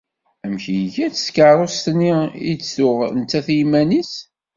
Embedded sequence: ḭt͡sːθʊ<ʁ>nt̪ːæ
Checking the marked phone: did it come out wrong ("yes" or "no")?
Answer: no